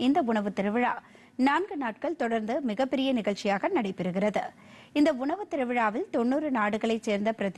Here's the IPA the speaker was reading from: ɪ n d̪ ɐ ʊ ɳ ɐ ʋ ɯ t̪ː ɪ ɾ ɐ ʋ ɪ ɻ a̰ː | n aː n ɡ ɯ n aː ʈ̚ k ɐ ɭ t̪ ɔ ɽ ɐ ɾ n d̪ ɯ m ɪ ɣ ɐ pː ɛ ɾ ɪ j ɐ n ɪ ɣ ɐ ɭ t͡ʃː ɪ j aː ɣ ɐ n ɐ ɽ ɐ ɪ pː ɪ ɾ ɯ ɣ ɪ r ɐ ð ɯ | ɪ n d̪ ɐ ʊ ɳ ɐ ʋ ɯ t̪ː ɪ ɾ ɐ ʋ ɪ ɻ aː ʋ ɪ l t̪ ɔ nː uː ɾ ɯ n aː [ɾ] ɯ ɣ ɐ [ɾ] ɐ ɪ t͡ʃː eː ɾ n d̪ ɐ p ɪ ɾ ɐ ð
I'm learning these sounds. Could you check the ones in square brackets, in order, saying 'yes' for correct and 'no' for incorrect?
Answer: no, no

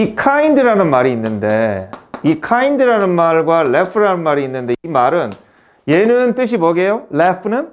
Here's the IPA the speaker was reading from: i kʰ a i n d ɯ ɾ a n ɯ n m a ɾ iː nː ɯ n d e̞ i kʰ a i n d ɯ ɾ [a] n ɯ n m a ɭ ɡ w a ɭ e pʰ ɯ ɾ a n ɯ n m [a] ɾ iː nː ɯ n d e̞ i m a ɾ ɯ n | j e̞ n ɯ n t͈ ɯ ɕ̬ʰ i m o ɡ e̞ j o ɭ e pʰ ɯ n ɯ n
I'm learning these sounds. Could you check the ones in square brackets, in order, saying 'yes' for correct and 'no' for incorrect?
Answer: yes, yes

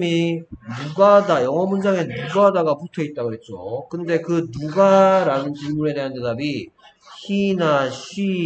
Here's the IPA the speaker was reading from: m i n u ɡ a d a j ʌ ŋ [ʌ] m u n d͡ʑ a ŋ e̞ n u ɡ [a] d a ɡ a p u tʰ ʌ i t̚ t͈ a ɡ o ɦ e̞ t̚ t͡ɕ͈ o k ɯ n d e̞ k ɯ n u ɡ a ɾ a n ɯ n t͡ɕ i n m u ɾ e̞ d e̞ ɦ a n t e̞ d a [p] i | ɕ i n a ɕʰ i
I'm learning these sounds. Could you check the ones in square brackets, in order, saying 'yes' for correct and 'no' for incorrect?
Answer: yes, yes, no

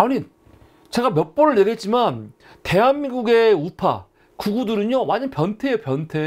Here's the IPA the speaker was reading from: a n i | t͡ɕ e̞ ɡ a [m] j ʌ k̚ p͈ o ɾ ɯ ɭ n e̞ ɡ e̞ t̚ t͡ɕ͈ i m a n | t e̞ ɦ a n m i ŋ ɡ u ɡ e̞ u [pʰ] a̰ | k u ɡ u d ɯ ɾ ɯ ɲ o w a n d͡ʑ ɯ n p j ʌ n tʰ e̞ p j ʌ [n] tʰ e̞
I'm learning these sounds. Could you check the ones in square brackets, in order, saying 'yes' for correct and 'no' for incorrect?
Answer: yes, yes, yes

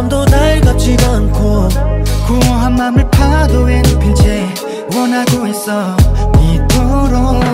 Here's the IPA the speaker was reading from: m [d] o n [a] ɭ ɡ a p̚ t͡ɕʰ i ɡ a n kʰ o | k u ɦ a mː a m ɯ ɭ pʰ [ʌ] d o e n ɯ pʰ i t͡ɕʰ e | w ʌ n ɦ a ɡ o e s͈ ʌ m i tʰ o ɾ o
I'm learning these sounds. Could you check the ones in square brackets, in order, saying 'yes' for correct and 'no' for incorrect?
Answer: yes, yes, no

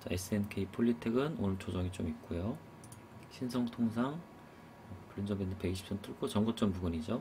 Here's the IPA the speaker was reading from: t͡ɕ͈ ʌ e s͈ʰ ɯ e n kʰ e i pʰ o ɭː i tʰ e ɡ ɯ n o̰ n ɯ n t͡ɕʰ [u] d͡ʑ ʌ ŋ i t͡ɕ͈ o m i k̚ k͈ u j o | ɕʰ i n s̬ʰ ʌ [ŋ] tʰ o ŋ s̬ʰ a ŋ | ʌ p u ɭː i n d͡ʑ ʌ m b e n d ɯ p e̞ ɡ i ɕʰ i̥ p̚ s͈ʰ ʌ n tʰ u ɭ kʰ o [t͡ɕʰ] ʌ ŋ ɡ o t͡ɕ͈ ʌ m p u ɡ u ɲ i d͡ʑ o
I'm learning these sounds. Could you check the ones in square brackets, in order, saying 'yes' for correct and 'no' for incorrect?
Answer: no, yes, no

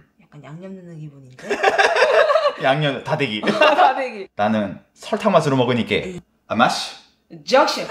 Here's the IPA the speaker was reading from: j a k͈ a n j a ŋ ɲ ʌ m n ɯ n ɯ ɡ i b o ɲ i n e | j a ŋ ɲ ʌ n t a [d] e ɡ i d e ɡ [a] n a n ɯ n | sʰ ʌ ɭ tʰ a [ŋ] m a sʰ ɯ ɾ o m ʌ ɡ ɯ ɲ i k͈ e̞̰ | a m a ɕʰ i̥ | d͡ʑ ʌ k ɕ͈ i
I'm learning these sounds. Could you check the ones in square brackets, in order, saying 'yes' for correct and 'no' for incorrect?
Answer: yes, no, yes

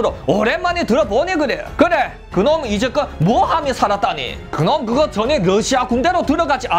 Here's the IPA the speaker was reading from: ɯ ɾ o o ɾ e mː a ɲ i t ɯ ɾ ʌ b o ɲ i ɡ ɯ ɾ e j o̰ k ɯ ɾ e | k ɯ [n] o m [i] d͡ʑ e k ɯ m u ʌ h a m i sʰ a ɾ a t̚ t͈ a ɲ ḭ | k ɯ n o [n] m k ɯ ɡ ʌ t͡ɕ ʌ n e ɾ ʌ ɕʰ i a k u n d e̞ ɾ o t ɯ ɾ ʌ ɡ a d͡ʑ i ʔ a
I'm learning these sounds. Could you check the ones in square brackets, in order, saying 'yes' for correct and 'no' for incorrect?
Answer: yes, yes, no

